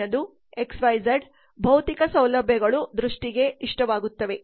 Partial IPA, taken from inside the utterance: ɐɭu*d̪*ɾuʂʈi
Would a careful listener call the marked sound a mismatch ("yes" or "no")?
no